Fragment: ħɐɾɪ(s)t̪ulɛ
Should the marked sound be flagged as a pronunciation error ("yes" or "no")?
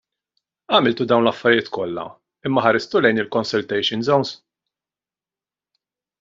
no